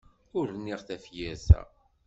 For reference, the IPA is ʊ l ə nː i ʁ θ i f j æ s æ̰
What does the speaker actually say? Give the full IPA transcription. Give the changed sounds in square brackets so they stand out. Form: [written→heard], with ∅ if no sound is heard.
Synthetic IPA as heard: ʊ [l→ɾ] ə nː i ʁ θ [i→æ] f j æ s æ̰